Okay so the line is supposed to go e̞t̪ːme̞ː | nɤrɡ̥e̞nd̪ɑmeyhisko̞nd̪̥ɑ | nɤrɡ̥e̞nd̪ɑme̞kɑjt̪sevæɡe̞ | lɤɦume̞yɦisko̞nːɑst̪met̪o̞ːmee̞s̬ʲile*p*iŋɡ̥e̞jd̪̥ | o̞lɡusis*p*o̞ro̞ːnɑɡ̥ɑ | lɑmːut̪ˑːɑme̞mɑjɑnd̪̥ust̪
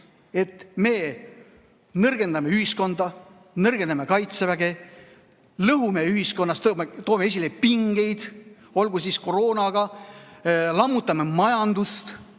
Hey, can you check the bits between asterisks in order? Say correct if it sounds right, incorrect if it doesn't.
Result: correct, incorrect

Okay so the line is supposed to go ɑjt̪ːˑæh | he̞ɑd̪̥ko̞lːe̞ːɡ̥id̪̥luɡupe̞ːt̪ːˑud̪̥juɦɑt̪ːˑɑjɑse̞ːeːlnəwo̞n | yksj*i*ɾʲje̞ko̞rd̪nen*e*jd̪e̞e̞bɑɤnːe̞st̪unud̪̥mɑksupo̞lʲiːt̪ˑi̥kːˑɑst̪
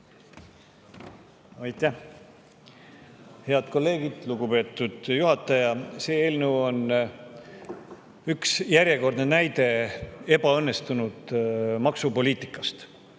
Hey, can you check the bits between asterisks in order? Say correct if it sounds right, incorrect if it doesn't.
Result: incorrect, incorrect

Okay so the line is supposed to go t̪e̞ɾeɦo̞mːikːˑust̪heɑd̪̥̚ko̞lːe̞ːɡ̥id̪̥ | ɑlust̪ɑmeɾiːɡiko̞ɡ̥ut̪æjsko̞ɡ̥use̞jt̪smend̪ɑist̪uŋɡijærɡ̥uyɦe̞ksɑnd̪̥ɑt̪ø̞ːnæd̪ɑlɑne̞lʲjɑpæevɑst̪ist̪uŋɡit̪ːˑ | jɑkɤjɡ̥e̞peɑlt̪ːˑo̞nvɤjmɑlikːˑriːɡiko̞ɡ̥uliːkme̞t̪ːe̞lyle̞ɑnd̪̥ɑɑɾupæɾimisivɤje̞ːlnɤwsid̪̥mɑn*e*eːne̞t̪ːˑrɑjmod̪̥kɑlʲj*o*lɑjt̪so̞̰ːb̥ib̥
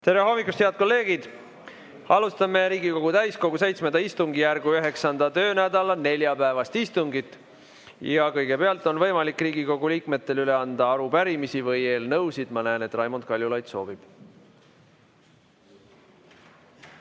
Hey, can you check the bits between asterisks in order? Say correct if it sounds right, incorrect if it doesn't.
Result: incorrect, incorrect

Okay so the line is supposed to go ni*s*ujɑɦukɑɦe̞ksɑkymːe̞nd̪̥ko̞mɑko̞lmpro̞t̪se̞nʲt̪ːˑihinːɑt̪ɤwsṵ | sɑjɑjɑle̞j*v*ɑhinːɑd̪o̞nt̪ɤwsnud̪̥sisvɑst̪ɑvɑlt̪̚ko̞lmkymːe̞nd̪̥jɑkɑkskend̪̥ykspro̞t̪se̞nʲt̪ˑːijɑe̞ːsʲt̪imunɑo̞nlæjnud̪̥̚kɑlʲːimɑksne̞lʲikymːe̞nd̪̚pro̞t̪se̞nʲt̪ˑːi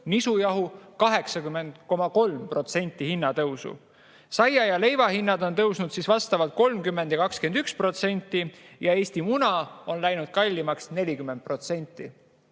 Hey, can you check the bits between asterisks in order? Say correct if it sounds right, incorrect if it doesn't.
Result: correct, correct

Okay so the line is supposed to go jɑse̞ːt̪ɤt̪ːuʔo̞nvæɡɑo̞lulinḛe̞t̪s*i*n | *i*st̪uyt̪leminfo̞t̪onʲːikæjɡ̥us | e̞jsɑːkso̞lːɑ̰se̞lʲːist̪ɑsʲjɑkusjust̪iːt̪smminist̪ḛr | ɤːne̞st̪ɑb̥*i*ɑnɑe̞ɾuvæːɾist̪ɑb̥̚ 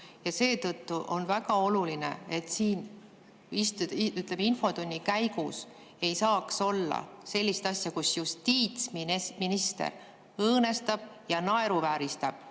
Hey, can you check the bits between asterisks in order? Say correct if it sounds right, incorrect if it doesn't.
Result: incorrect, correct, incorrect

